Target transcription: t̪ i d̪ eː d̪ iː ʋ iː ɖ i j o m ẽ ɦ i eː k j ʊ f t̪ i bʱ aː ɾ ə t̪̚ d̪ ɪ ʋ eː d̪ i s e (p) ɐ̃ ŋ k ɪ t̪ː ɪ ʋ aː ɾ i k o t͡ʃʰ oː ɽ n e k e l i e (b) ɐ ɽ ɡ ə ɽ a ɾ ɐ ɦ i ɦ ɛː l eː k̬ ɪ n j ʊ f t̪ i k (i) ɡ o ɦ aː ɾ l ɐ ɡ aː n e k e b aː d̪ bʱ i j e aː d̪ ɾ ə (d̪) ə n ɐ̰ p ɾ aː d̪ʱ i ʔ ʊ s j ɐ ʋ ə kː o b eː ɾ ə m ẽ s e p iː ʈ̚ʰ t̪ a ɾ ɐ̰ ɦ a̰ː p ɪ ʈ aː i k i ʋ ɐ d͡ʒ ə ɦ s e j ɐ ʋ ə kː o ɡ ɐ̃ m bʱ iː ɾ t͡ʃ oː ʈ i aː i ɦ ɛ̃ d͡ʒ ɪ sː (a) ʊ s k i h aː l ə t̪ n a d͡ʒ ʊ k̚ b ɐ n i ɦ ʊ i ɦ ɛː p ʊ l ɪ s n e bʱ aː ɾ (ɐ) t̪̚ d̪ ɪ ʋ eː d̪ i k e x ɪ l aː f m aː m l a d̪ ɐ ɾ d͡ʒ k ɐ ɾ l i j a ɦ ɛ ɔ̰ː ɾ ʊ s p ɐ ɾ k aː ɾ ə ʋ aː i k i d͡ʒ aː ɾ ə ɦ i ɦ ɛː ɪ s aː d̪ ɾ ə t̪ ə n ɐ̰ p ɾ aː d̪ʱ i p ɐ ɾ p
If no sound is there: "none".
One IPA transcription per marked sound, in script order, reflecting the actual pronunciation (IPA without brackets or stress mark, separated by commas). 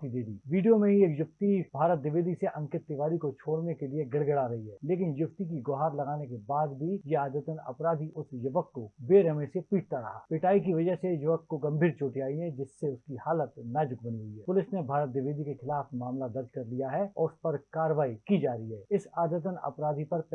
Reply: ʔ, ɡ, i, t̪, e, ə